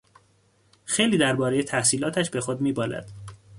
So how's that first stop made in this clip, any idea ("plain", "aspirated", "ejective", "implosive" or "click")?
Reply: plain